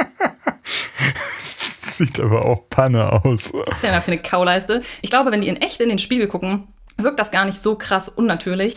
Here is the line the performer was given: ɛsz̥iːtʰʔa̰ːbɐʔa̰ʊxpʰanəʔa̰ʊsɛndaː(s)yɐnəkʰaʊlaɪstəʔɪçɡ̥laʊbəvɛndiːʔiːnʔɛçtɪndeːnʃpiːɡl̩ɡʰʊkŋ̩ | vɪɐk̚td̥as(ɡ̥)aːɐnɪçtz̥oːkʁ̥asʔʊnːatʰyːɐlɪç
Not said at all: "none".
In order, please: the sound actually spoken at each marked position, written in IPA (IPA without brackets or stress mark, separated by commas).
f, ɡ̥